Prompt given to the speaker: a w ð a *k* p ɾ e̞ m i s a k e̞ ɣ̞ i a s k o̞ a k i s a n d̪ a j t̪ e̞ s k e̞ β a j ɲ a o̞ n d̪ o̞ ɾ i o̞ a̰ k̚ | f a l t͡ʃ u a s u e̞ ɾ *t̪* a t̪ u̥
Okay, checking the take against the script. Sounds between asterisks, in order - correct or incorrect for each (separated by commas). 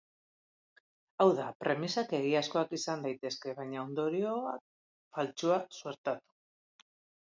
incorrect, correct